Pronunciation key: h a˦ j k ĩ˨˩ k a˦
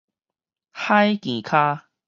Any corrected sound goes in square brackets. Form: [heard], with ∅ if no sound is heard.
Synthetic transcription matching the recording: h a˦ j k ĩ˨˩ [kʰ] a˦